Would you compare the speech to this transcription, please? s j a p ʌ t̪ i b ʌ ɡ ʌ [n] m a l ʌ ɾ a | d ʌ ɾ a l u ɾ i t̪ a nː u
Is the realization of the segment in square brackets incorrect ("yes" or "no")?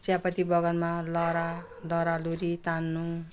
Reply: no